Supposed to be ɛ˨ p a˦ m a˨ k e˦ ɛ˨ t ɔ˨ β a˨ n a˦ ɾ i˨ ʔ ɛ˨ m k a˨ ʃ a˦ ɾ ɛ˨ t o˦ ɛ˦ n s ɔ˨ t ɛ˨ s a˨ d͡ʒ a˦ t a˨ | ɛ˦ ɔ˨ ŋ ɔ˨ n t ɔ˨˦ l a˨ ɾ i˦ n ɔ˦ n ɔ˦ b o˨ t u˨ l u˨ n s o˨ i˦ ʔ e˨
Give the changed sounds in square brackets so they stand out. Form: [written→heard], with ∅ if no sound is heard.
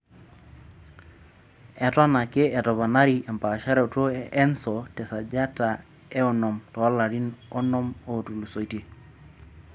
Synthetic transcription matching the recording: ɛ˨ [p→t] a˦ [m→n] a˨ k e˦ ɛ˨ t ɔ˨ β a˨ n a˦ ɾ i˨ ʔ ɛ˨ m [k→p] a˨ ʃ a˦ ɾ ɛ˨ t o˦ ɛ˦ n s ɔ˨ t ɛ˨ s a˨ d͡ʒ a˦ t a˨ | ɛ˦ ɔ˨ [ŋ→n] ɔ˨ [n→m] t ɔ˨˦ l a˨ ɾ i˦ n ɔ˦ n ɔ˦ [b→m] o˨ t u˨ l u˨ [n→∅] s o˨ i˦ [ʔ→t] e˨